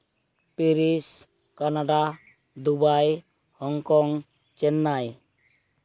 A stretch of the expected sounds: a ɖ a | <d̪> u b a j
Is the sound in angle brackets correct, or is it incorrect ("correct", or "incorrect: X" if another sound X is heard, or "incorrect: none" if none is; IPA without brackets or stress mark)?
correct